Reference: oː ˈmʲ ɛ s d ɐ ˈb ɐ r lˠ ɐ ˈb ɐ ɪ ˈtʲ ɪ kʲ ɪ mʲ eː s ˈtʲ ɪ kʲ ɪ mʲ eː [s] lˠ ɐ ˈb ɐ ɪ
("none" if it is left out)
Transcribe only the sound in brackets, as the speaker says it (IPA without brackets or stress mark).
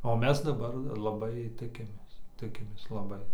s